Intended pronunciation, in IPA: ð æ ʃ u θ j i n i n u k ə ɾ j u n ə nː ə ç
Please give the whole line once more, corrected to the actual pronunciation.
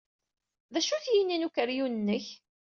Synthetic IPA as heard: ð æ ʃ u θ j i n i n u k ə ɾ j u n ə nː ə ç